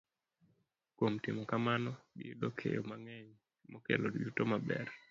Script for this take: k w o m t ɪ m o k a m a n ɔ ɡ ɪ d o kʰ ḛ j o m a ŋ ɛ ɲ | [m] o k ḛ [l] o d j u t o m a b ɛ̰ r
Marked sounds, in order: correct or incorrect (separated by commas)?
correct, correct